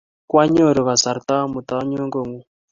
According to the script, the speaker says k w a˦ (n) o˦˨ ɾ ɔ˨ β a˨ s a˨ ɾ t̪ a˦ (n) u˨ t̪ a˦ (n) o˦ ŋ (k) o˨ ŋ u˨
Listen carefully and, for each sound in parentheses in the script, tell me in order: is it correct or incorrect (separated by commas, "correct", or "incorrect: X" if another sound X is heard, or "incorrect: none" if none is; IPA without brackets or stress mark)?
incorrect: ɲ, incorrect: m, incorrect: ɲ, incorrect: ɡ